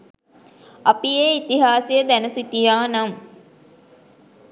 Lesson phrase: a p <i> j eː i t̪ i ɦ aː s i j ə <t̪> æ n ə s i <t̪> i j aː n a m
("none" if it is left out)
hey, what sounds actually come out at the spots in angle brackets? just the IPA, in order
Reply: i, d̪, t̪

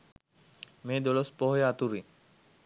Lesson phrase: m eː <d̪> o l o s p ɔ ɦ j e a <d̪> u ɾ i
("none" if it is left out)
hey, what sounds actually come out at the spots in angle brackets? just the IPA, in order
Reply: d̪, t̪

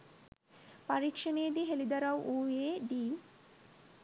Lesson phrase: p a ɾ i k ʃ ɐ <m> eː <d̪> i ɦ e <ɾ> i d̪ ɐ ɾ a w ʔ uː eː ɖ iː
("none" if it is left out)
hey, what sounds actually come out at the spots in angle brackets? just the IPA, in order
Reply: n, d̪, l

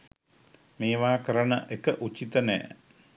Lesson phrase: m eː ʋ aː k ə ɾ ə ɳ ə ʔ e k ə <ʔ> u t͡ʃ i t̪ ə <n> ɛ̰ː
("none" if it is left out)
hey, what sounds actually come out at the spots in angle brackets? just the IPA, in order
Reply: ʔ, n

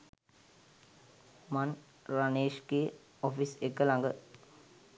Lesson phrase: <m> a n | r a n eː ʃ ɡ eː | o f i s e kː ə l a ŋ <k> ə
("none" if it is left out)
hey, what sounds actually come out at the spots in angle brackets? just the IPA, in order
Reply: m, ɡ

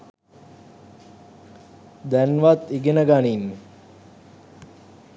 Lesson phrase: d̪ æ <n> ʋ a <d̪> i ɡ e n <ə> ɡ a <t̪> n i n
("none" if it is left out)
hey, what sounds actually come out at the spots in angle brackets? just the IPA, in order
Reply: n, t̪, ə, none

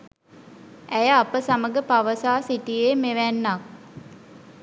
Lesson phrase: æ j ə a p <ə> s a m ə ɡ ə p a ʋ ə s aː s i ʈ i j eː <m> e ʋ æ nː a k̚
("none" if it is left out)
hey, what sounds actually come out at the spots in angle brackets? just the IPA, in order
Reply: ə, m

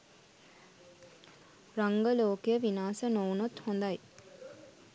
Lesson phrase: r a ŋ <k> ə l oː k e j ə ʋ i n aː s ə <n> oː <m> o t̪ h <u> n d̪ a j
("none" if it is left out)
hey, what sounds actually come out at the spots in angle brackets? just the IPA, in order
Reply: ɡ, n, n, o

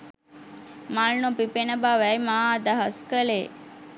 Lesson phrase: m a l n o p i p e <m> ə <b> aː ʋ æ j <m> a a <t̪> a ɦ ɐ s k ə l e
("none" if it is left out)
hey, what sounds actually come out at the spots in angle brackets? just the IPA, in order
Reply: n, b, m, d̪

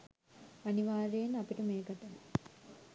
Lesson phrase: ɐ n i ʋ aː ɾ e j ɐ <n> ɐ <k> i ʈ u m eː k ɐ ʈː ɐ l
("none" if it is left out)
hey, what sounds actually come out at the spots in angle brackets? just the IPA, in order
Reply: n, p

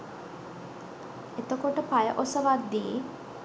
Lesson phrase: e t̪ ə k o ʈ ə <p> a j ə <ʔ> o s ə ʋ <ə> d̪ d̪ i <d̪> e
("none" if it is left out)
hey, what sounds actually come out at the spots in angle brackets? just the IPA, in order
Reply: p, ʔ, a, none

